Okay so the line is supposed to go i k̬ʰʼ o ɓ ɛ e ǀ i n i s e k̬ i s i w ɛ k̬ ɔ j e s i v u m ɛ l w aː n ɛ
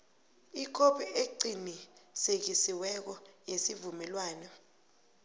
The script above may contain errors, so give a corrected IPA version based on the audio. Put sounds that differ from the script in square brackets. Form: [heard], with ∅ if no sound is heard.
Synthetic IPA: i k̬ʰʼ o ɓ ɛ e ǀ i n i s e k̬ i s i w ɛ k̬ ɔ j e s i v u m ɛ l w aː n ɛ

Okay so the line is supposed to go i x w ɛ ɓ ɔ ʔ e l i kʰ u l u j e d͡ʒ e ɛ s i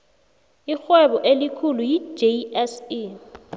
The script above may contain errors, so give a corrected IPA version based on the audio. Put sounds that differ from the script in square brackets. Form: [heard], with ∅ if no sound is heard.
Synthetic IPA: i x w ɛ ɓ ɔ ʔ e l i kʰ u l u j [i] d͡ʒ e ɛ s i

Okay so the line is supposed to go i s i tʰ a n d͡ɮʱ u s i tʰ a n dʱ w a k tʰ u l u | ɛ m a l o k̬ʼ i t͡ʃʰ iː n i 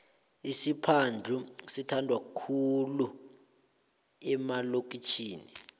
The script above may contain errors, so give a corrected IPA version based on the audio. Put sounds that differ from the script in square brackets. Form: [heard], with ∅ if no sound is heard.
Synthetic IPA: i s i [pʰ] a n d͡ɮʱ u s i tʰ a n dʱ w a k [kʰ] u l u | ɛ m a l o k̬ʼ i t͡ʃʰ iː n i

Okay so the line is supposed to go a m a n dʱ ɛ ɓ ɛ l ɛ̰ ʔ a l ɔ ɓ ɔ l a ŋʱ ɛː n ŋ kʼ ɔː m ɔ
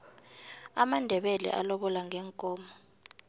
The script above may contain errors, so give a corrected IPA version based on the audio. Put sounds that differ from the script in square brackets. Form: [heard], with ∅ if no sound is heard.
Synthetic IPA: a m a n dʱ ɛ ɓ ɛ l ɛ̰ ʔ a l ɔ ɓ ɔ l a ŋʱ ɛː [∅] ŋ kʼ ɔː m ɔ

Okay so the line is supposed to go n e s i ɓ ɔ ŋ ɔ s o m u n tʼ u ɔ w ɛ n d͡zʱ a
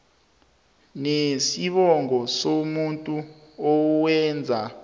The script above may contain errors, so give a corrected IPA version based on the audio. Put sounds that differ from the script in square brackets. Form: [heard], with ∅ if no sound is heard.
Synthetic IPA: n e s i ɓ ɔ ŋ ɔ s o m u n tʼ u ɔ w ɛ n d͡zʱ a

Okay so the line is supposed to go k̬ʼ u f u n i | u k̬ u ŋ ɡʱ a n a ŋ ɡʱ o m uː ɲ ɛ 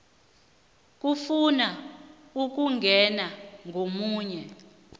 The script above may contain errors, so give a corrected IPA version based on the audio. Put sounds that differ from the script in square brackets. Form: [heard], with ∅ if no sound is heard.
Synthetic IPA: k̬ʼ u f u n [a] | u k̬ u ŋ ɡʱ [ɛ] n a ŋ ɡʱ o m uː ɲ ɛ

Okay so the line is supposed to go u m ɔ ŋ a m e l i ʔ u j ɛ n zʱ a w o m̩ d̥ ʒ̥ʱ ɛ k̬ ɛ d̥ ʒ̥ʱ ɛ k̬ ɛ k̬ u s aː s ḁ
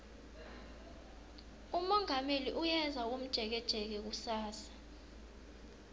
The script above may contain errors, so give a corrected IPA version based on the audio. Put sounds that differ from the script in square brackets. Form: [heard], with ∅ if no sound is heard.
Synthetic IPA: u m ɔ ŋ a m e l i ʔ u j ɛ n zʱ a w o m̩ d̥ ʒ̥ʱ ɛ k̬ ɛ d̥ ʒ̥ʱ ɛ k̬ ɛ k̬ u s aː s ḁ

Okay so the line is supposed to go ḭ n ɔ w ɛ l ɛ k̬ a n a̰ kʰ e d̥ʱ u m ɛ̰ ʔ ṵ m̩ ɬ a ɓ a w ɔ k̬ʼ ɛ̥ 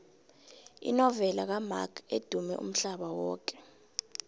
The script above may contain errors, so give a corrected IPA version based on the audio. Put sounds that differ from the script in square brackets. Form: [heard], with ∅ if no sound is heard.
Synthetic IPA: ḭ n ɔ [v] ɛ l [a] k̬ a [m] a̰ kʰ e d̥ʱ u m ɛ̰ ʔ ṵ m̩ ɬ a ɓ a w [ɔː] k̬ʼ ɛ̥

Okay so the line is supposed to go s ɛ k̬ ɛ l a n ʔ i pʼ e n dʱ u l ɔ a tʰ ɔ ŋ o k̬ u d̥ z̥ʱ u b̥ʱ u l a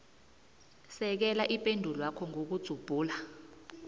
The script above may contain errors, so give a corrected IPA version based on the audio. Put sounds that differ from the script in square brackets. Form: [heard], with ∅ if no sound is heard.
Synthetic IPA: s ɛ k̬ ɛ l a [∅] ʔ i pʼ e n dʱ u l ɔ a [kʰ] ɔ ŋ o k̬ u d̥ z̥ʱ u b̥ʱ [uː] l a

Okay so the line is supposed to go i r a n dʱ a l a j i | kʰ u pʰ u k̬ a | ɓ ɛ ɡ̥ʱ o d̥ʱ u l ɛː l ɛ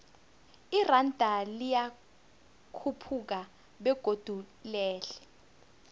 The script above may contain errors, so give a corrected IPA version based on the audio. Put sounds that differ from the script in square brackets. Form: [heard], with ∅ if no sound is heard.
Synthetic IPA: i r a n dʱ a l [i] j [a] | kʰ u pʰ u k̬ a | ɓ ɛ ɡ̥ʱ o d̥ʱ u l ɛː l ɛ

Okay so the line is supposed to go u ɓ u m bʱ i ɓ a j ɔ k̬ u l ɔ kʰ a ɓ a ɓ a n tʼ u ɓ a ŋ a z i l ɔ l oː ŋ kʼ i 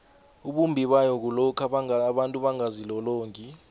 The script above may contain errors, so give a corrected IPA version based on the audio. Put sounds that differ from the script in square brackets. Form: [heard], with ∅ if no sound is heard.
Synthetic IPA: u ɓ u m bʱ i ɓ a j ɔ k̬ u l ɔ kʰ a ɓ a ɓ a n tʼ u ɓ a ŋ a z i l ɔ l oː ŋ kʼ i

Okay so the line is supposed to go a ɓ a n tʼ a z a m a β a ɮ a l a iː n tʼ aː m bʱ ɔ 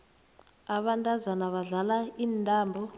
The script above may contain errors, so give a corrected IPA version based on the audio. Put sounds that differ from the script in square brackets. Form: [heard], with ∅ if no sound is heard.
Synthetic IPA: a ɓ a n tʼ a z a [n] a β a ɮ a l a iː n tʼ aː m bʱ ɔ

